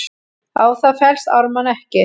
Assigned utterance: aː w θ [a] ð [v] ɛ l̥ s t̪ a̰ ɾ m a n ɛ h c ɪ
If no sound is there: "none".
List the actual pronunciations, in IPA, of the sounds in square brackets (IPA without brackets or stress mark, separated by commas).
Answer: a, f